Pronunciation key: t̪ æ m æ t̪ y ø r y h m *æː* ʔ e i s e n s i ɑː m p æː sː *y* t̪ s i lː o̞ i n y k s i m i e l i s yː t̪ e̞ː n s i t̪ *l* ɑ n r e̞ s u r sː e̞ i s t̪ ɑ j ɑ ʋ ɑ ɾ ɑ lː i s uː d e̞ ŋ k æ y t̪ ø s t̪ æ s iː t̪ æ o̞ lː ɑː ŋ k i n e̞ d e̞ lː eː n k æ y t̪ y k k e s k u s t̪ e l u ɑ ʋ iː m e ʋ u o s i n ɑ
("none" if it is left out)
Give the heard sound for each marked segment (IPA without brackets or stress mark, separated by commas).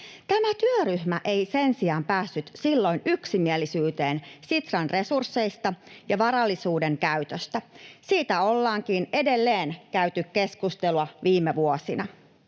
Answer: æ, y, r